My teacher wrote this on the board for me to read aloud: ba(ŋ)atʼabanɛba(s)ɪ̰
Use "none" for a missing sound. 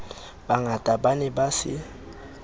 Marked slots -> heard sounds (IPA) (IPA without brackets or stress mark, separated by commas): ŋ, s